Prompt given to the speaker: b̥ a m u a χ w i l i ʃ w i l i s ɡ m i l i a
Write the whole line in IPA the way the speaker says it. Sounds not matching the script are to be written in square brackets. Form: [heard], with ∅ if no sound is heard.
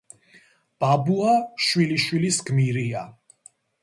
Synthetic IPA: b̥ a [b] u a [ʃ] w i l i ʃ w i l i s ɡ m i [ɾ] i a